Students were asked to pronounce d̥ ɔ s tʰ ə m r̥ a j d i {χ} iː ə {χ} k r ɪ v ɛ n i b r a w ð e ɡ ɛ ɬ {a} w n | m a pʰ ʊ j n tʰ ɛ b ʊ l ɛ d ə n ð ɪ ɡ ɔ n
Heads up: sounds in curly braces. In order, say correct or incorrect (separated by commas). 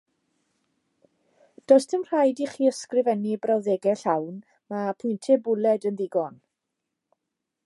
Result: correct, incorrect, correct